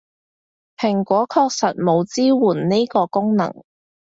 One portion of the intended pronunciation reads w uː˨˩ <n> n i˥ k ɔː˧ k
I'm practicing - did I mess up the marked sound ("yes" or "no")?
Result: no